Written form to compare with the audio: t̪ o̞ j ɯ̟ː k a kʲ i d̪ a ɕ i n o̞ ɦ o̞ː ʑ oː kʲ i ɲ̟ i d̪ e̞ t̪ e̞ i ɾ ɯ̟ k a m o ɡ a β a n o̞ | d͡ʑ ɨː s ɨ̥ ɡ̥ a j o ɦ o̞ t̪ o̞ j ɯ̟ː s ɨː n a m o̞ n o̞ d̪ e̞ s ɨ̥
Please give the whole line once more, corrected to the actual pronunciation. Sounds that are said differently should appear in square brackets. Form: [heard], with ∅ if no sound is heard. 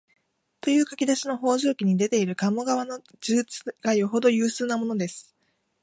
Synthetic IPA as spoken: t̪ o̞ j ɯ̟ː k a kʲ i d̪ a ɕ i n o̞ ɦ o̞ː ʑ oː kʲ i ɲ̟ i d̪ e̞ t̪ e̞ i ɾ ɯ̟ k a m o ɡ a β a n o̞ | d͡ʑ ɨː [t͡s] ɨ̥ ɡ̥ a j o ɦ o̞ [d̪] o̞ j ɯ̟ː s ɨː n a m o̞ n o̞ d̪ e̞ s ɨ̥